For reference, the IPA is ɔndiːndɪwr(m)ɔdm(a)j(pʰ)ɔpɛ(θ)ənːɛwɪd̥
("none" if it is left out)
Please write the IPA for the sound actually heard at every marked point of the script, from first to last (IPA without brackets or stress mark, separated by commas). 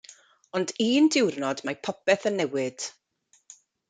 n, a, pʰ, θ